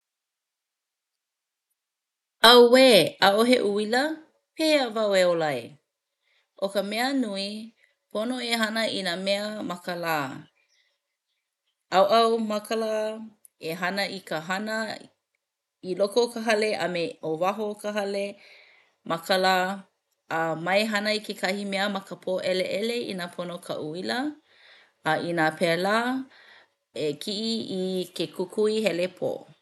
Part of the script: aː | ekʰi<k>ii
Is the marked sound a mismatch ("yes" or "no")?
yes